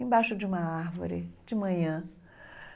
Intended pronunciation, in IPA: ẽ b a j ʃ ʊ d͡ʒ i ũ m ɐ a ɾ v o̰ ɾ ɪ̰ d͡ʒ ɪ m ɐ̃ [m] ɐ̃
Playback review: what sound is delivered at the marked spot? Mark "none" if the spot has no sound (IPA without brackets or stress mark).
ɲ